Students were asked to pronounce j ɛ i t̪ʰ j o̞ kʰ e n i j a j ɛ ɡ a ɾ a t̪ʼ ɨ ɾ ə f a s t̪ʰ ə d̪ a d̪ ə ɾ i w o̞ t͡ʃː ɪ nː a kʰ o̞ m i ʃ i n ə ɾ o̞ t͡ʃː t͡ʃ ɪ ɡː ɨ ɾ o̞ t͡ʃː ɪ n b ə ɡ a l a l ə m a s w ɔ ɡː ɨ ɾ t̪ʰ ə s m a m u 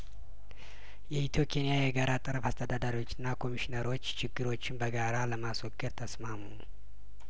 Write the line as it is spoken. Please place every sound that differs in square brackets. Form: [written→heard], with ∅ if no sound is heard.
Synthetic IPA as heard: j ɛ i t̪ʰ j o̞ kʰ e n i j a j ɛ ɡ a ɾ a t̪ʼ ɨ ɾ ə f a s t̪ʰ ə d̪ a d̪ [ə→a] ɾ i w o̞ t͡ʃː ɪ nː a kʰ o̞ m i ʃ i n ə ɾ o̞ t͡ʃː t͡ʃ ɪ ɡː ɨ ɾ o̞ t͡ʃː ɪ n b ə ɡ a [l→ɾ] a l ə m a s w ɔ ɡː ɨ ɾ t̪ʰ ə s m a m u